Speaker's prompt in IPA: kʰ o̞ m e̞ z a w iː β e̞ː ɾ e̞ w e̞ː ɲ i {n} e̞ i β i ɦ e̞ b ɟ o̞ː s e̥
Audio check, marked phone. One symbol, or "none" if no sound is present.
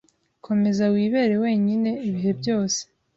n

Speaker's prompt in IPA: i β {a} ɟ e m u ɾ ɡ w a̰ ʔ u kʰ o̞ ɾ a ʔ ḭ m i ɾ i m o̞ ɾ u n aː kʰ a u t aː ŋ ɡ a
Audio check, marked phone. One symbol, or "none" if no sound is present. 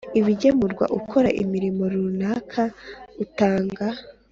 i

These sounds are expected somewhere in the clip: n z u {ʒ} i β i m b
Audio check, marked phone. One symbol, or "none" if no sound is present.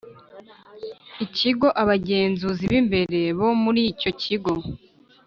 z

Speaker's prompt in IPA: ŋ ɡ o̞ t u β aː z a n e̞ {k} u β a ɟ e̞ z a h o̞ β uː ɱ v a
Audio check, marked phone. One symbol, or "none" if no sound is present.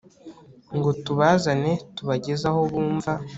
t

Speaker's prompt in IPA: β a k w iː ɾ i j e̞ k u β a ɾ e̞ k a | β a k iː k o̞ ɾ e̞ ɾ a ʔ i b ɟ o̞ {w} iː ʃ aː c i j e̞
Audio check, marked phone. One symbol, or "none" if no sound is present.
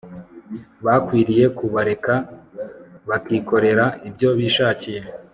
β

